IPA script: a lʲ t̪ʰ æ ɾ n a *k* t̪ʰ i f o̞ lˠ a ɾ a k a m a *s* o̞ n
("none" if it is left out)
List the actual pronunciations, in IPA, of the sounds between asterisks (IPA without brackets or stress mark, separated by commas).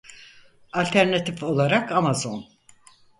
none, z